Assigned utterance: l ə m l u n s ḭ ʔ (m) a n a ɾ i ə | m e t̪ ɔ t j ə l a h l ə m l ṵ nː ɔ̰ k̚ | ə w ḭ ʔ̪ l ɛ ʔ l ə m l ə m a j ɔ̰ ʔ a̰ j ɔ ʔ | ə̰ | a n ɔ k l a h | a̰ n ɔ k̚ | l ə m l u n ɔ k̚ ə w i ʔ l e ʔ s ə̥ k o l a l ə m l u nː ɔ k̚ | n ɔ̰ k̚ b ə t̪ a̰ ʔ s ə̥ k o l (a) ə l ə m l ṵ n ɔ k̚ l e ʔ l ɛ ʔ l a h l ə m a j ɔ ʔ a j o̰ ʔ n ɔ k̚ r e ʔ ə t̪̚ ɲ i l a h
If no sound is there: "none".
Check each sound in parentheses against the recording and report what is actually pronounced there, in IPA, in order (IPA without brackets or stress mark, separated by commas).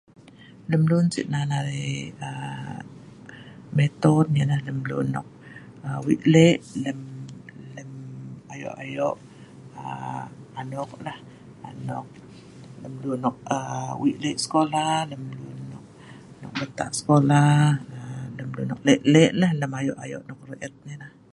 n, a